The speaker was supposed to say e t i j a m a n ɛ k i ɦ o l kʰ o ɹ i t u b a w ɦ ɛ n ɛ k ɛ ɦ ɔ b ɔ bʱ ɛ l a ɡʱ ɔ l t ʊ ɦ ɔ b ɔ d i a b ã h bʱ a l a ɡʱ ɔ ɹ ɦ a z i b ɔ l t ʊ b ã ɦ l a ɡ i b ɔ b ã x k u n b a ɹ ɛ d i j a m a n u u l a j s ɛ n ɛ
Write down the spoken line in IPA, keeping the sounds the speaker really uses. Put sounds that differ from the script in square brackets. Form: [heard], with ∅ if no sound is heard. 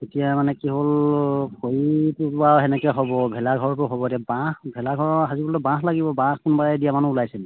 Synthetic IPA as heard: e t i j a m a n ɛ k i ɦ o l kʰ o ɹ i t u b a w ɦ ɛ n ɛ k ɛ ɦ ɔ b ɔ bʱ ɛ l a ɡʱ ɔ [ɹ] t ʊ ɦ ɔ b ɔ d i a b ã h bʱ [ɛ] l a ɡʱ ɔ ɹ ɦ a z i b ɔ l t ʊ b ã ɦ l a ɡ i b ɔ b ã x k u n b a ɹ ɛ d i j a m a n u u l a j s ɛ n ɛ